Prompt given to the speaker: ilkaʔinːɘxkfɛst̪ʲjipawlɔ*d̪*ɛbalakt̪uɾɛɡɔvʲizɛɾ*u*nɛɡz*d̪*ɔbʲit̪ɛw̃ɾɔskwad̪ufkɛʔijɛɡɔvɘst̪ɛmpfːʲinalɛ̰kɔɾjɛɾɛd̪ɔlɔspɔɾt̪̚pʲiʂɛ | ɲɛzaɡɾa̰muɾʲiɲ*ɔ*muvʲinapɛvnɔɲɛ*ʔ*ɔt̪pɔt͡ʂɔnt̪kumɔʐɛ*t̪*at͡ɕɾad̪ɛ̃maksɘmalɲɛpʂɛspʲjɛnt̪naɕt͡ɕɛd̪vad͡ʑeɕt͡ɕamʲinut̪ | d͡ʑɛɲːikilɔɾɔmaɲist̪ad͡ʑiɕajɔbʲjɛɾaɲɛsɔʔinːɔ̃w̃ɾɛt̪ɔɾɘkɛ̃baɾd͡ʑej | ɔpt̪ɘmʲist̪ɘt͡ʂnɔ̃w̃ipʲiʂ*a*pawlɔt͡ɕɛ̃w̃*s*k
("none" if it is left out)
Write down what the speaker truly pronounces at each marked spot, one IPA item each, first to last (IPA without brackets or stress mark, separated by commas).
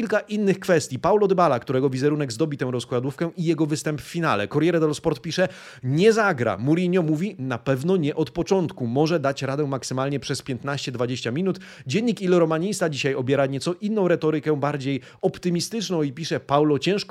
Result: d̪, u, d̪, ɔ, ʔ, d̪, ɛ, ʂ